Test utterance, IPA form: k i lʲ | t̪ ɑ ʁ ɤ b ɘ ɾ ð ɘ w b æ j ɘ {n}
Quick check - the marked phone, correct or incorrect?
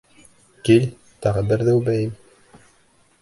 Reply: incorrect